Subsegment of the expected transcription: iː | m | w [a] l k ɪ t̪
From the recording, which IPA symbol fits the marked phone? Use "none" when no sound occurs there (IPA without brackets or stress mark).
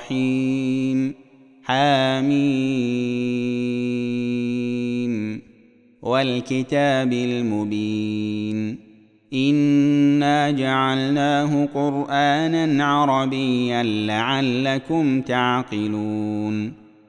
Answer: a